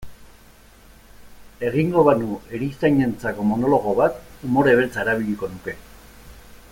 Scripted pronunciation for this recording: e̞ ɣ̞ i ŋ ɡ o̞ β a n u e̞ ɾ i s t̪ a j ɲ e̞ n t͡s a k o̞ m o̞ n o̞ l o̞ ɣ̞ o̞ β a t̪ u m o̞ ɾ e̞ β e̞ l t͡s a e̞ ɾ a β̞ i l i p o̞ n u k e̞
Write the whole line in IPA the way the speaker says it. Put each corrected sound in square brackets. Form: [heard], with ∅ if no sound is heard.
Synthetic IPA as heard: e̞ ɣ̞ i ŋ ɡ o̞ β a n u e̞ ɾ i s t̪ a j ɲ e̞ n t͡s a k o̞ m o̞ n o̞ l o̞ ɣ̞ o̞ β a t̪ u m o̞ ɾ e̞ β e̞ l t͡s a e̞ ɾ a β̞ i [ʎ] i [k] o̞ n u k e̞

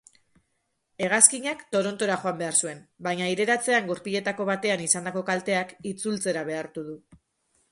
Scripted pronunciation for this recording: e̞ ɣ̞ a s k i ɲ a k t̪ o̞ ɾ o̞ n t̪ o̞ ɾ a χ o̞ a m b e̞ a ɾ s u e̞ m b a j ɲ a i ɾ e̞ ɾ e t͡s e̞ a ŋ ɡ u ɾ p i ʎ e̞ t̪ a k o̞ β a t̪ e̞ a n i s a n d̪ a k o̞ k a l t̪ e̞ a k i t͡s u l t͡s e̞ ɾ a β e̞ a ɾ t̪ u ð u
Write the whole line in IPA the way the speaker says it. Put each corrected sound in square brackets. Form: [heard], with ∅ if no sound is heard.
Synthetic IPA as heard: e̞ ɣ̞ a s k i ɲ a k t̪ o̞ ɾ o̞ n t̪ o̞ ɾ a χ o̞ a m b e̞ a ɾ s u e̞ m b a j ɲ a i ɾ e̞ ɾ [a] t͡s e̞ a ŋ ɡ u ɾ p i ʎ e̞ t̪ a k o̞ β a t̪ e̞ a n i s a n d̪ a k o̞ k a l t̪ e̞ a k i t͡s u l t͡s e̞ ɾ a β e̞ a ɾ t̪ u ð u

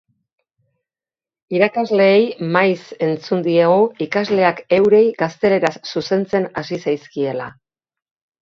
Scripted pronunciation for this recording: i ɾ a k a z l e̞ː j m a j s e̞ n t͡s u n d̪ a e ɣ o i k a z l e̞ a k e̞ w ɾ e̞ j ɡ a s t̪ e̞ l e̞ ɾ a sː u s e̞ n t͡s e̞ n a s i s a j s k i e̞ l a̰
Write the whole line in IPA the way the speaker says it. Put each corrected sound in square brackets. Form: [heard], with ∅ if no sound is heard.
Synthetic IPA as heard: i ɾ a k a z l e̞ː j m a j s e̞ n t͡s u n d̪ [i] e ɣ o i k a z l e̞ a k e̞ w ɾ e̞ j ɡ a s t̪ e̞ l e̞ ɾ a sː u s e̞ n t͡s e̞ n a s i s a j s k i e̞ l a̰

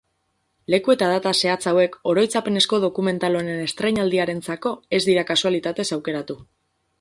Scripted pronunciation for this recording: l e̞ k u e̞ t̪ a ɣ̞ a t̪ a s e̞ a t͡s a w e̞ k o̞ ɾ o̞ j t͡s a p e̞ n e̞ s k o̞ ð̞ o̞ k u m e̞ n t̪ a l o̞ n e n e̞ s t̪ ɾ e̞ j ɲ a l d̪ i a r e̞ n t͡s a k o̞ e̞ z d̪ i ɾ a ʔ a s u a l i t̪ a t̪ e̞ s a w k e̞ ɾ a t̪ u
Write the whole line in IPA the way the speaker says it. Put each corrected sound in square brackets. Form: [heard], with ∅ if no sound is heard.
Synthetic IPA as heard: l e̞ k u e̞ t̪ a [ð̞] a t̪ a s e̞ a t͡s a w e̞ k o̞ ɾ o̞ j t͡s a p e̞ n e̞ s k o̞ ð̞ o̞ k u m e̞ n t̪ a l o̞ n e n e̞ s t̪ ɾ e̞ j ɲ a l d̪ i a [ɾ] e̞ n t͡s a k o̞ e̞ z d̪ i ɾ a [k] a s u a l i t̪ a t̪ e̞ s a w k e̞ ɾ a t̪ u

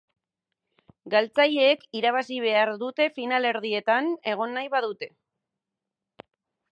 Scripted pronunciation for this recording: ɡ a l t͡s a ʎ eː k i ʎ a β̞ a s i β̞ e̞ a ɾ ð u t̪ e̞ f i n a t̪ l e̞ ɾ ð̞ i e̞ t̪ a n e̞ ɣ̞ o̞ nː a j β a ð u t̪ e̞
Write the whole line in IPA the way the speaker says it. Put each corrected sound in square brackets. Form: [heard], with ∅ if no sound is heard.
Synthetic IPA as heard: ɡ a l t͡s a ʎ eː k i [ɾ] a β̞ a s i β̞ e̞ a ɾ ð u t̪ e̞ f i n a [∅] l e̞ ɾ ð̞ i e̞ t̪ a n e̞ ɣ̞ o̞ nː a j β a ð u t̪ e̞

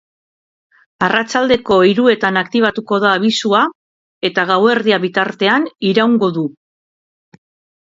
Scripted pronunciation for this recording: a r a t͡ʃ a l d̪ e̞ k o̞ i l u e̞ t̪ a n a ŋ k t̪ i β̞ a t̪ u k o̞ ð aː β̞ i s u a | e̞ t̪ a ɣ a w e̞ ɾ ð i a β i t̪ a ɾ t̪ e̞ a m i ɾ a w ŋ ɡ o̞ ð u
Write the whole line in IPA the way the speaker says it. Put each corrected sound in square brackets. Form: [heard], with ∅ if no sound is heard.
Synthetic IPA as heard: a r a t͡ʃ a l d̪ e̞ k o̞ i [ɾ] u e̞ t̪ a n a [∅] k t̪ i β̞ a t̪ u k o̞ ð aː β̞ i s u a | e̞ t̪ a ɣ a w e̞ ɾ ð i a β i t̪ a ɾ t̪ e̞ a [n] i ɾ a w ŋ ɡ o̞ ð u

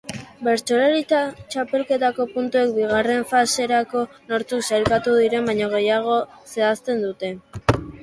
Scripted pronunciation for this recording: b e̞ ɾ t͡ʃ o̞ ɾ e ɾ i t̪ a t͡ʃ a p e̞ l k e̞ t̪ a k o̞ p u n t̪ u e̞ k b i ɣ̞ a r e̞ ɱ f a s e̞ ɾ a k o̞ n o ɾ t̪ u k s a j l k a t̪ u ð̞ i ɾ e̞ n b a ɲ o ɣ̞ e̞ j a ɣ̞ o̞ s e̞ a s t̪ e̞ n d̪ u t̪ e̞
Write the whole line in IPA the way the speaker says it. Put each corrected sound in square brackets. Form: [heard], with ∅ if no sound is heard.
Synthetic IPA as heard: b e̞ ɾ t͡ʃ o̞ ɾ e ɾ i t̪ a t͡ʃ a p e̞ l k e̞ t̪ a k o̞ p u n t̪ u e̞ k b i ɣ̞ a r e̞ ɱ f a s e̞ ɾ a k o̞ n o ɾ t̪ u k s a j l k a t̪ u ð̞ i ɾ e̞ [m] b a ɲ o ɣ̞ e̞ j a ɣ̞ o̞ s e̞ a s t̪ e̞ n d̪ u t̪ e̞

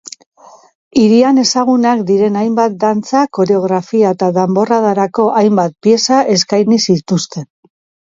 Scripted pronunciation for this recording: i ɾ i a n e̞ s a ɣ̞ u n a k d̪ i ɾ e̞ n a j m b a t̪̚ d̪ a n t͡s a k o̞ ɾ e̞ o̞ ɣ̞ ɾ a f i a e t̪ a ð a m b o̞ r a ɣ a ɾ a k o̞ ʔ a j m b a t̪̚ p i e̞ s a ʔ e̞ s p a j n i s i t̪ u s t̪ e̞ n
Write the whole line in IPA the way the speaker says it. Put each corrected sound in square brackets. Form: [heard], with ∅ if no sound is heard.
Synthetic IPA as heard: i ɾ i a n e̞ s a ɣ̞ u n a k d̪ i ɾ e̞ n a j m b a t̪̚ d̪ a n t͡s a k o̞ ɾ e̞ o̞ ɣ̞ ɾ a f i a e t̪ a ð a m b o̞ r a [ð] a ɾ a k o̞ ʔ a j m b a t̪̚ p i e̞ s a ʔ e̞ s [k] a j n i s i t̪ u s t̪ e̞ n

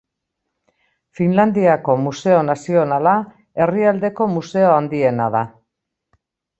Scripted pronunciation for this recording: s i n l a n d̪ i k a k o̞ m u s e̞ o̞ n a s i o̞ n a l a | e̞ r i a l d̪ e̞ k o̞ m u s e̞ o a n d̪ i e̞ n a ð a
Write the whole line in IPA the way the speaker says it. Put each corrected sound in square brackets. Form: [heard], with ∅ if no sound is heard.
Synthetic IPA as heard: [f] i n l a n d̪ i [∅] a k o̞ m u s e̞ o̞ n a s i o̞ n a l a | e̞ r i a l d̪ e̞ k o̞ m u s e̞ o a n d̪ i e̞ n a ð a

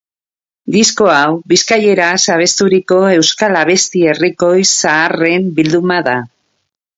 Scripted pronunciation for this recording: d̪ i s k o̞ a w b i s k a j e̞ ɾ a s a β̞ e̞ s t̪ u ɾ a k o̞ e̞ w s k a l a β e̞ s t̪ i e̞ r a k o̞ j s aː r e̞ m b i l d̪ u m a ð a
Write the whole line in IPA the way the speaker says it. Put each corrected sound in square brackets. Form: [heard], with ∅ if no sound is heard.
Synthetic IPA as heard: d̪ i s k o̞ a w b i s k a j e̞ ɾ a s a β̞ e̞ s t̪ u ɾ [i] k o̞ e̞ w s k a l a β e̞ s t̪ i e̞ r [i] k o̞ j s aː r e̞ m b i l d̪ u m a ð a

